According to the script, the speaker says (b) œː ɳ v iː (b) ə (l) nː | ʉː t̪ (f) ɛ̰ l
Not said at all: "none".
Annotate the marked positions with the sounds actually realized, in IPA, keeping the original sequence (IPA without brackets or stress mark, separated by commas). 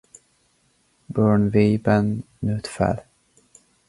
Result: b, b, none, f